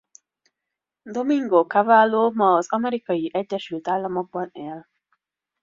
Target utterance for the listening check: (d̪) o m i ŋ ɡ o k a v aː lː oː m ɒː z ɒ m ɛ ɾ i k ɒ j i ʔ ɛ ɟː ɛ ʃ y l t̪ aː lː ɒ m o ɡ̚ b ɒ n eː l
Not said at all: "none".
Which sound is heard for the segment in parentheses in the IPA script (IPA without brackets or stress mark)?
d̪